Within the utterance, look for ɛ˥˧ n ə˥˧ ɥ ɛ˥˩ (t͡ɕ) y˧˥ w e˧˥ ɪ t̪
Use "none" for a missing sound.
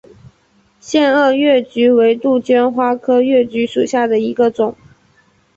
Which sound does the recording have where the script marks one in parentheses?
t͡ɕ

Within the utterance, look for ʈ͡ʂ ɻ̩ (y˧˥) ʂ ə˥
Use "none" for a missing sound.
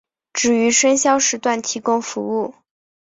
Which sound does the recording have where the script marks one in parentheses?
y˧˥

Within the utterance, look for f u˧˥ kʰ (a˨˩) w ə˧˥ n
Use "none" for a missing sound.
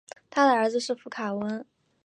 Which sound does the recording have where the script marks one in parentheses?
a˨˩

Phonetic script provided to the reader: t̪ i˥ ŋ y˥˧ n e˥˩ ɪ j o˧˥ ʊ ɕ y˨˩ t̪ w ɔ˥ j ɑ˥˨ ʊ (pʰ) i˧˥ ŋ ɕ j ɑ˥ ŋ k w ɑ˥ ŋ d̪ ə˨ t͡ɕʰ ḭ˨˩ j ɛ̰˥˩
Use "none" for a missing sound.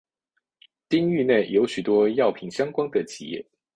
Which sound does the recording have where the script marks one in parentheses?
pʰ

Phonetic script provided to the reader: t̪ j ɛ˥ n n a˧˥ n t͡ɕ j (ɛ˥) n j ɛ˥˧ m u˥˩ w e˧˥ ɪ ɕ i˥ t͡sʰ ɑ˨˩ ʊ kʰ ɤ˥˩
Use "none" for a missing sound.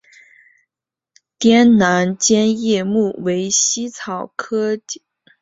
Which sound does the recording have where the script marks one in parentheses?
ɛ˥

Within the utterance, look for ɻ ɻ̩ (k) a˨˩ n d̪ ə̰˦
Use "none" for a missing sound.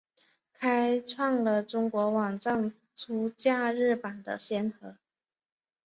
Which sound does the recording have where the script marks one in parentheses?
p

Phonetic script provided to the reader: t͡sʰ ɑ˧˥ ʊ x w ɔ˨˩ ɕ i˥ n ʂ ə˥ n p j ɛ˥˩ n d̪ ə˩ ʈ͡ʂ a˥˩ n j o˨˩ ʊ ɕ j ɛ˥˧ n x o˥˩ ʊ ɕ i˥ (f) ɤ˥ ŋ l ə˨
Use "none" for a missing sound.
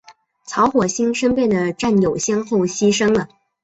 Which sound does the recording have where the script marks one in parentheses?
ʂ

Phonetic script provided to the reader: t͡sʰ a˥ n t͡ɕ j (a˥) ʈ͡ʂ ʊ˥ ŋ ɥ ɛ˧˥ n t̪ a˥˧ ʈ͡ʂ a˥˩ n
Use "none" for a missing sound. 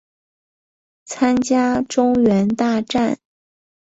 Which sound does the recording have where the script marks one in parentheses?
a˥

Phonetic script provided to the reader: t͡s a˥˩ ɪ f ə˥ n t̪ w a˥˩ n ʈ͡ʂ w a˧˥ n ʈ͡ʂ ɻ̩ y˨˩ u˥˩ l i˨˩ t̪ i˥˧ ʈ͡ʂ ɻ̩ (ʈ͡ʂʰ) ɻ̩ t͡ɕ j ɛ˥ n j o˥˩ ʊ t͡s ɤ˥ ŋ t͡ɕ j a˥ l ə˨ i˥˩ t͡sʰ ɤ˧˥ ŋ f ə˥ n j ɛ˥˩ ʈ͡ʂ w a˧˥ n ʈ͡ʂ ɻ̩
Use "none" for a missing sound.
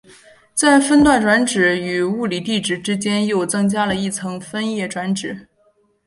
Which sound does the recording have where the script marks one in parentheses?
ʈ͡ʂ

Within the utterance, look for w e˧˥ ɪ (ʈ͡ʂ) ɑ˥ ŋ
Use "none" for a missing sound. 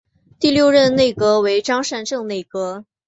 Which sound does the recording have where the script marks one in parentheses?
ʈ͡ʂ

